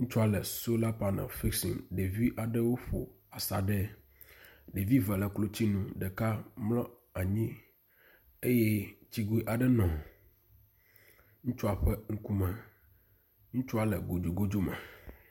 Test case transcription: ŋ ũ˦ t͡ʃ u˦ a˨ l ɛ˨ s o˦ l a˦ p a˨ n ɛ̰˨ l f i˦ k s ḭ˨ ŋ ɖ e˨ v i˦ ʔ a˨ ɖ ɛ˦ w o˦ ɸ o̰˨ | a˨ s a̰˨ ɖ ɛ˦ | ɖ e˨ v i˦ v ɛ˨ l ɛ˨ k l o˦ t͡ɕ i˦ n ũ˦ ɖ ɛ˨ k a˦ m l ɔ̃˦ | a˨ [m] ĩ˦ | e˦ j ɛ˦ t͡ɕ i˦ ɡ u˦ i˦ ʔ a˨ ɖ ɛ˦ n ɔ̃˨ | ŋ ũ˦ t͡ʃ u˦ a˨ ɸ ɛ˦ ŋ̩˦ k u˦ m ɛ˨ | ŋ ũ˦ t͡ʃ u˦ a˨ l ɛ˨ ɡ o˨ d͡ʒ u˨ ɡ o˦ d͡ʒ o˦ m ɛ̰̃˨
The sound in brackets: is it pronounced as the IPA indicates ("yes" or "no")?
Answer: no